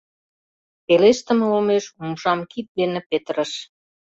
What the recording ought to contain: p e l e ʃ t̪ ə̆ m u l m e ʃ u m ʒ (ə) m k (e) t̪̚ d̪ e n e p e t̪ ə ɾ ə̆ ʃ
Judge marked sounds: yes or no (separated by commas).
no, no